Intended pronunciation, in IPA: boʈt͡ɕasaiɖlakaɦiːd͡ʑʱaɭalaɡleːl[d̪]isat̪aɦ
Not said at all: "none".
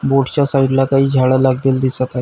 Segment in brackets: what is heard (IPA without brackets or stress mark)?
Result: d̪